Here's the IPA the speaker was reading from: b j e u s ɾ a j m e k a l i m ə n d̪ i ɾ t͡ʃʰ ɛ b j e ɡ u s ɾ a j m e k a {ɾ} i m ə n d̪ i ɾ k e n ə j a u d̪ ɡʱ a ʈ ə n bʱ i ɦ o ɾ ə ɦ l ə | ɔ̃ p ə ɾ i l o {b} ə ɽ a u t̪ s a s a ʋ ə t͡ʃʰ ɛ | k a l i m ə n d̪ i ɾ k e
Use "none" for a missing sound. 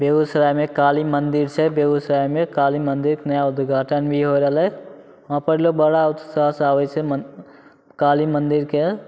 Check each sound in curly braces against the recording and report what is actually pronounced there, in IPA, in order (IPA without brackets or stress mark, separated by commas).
l, b